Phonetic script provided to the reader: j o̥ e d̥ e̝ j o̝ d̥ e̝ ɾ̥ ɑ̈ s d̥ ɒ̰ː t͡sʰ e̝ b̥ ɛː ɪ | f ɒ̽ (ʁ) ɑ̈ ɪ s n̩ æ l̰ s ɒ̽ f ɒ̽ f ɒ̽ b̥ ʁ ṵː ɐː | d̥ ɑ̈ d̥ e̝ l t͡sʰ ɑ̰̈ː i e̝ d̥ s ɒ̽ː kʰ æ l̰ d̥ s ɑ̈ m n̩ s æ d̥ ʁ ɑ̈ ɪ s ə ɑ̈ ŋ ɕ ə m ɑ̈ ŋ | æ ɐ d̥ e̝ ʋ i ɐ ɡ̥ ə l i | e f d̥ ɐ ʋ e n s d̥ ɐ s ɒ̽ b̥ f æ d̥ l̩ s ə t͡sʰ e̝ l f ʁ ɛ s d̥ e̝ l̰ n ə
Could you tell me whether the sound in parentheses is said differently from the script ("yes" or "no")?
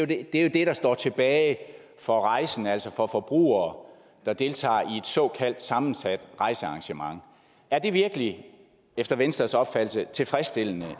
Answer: no